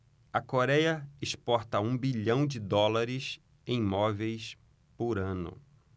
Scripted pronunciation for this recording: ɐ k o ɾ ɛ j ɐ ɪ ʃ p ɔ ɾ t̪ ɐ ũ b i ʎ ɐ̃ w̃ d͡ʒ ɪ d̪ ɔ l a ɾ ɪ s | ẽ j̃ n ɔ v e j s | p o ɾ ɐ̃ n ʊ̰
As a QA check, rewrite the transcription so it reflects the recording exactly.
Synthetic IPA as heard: ɐ k o ɾ ɛ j ɐ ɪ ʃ p ɔ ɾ t̪ ɐ ũ b i ʎ ɐ̃ w̃ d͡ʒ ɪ d̪ ɔ l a ɾ ɪ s | ẽ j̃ m ɔ v e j s | p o ɾ ɐ̃ n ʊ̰